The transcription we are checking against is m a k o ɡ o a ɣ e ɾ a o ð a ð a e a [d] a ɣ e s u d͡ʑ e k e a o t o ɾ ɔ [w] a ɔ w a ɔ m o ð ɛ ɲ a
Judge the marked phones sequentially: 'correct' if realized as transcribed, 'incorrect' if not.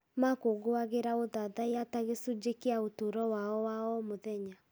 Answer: incorrect: t, correct

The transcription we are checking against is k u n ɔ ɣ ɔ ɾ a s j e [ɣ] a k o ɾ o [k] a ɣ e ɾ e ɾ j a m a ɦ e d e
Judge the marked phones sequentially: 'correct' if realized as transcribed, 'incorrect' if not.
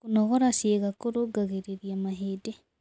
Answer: correct, incorrect: ɡ

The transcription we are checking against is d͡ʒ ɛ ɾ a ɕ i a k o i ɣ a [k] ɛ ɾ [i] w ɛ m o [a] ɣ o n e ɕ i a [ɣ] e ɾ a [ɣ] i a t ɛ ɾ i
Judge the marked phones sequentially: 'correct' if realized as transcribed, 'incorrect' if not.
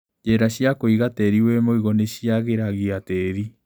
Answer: incorrect: t, correct, incorrect: i, correct, correct

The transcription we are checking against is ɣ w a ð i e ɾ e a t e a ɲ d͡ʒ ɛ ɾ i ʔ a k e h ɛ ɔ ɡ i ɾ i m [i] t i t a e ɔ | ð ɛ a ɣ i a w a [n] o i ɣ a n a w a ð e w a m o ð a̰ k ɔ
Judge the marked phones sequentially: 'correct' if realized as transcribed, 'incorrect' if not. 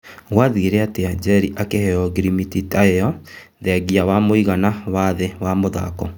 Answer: correct, incorrect: m

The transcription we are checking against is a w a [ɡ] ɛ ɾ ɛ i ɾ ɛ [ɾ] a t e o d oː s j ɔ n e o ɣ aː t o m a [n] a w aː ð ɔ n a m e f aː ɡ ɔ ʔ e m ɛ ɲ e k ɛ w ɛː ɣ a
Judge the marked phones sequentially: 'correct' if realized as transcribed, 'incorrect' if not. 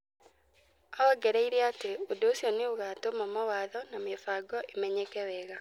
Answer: correct, incorrect: none, incorrect: m

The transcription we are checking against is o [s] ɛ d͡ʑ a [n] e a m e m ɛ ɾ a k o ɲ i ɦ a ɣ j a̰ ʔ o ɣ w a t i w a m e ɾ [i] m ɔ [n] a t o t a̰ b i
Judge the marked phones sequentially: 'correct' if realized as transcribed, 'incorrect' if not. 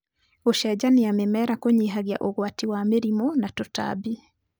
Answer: incorrect: ʃ, correct, correct, correct

